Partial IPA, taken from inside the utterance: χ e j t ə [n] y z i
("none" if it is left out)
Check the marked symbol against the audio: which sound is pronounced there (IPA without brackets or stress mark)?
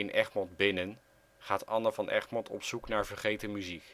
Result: m